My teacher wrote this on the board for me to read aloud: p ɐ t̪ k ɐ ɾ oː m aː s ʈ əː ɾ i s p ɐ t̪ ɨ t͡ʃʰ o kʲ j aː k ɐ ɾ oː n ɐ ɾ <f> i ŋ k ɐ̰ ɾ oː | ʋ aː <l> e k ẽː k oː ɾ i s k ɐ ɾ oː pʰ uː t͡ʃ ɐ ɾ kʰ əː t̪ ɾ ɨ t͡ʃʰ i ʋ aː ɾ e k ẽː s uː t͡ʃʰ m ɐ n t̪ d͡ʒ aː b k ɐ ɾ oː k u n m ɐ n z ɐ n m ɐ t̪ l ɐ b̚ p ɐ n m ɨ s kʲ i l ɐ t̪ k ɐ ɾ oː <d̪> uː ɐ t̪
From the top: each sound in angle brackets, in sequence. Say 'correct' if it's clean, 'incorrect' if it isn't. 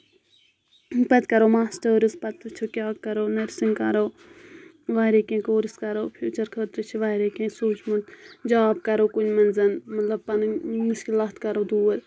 incorrect: s, incorrect: ɾ, correct

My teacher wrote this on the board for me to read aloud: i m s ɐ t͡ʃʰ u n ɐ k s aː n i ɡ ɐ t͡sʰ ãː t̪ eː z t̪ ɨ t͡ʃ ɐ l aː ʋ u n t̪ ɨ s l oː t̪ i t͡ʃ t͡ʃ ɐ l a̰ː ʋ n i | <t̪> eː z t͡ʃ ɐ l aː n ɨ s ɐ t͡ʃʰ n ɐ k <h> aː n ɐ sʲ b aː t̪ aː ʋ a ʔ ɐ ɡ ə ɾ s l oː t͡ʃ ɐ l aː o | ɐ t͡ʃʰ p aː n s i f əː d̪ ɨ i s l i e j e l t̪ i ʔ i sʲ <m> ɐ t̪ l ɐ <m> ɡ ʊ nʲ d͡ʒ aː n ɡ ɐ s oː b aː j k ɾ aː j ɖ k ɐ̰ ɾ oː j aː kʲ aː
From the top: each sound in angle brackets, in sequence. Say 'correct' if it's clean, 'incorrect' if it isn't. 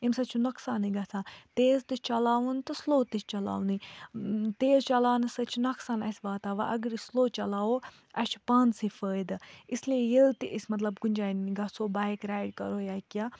correct, incorrect: s, correct, incorrect: b

